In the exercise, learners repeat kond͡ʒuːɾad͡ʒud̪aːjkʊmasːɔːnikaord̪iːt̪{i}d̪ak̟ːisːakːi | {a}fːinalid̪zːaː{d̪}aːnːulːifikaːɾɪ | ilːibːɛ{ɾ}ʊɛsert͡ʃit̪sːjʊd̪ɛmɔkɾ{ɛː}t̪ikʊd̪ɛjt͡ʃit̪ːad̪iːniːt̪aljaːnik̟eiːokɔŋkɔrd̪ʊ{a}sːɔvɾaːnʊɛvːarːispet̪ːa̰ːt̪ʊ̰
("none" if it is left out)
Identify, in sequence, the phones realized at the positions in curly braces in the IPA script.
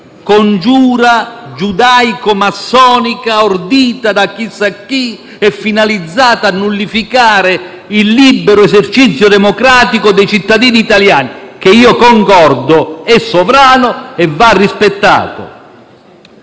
a, ɛ, t̪, ɾ, aː, ɛ

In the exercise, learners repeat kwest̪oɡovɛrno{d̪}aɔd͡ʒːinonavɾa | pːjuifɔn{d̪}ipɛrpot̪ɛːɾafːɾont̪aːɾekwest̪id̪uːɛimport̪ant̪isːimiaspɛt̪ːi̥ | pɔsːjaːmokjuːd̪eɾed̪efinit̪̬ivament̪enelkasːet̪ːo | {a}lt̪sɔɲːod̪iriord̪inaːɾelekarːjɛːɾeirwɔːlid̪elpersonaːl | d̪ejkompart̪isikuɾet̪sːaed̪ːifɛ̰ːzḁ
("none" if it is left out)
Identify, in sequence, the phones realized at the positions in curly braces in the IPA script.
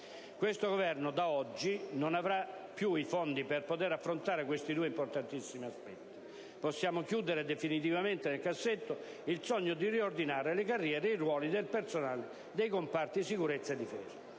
d̪, d̪, i

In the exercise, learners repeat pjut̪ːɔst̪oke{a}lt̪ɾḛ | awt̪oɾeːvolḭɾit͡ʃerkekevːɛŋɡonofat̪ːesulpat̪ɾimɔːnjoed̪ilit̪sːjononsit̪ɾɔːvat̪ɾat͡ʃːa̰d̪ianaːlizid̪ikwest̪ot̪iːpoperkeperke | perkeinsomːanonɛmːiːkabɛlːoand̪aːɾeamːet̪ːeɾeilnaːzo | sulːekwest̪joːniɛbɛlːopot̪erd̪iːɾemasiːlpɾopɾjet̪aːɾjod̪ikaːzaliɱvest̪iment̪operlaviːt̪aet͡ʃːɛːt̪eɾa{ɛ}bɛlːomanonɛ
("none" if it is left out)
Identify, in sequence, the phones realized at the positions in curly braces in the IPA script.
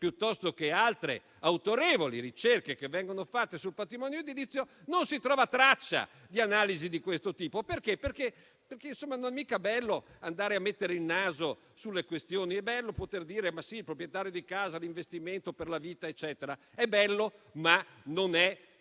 a, ɛ

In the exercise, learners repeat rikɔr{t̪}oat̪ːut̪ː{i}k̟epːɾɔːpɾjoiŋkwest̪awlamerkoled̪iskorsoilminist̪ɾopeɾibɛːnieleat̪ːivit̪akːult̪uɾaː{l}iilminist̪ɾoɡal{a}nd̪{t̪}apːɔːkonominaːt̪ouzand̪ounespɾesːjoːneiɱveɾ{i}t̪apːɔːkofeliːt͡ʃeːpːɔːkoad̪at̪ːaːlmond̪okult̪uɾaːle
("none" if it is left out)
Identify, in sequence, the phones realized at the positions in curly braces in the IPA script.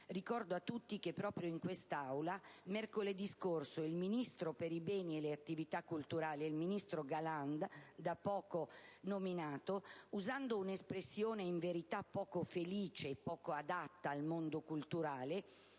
d̪, i, l, a, d̪, i

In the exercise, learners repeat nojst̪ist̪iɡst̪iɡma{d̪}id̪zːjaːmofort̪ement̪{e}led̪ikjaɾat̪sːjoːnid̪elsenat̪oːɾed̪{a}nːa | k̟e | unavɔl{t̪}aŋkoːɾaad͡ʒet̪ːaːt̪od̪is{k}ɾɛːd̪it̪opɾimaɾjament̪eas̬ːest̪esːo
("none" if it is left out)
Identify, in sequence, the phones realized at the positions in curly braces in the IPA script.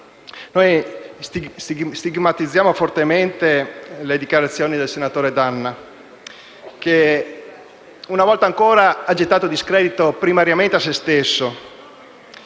t̪, e, a, t̪, k

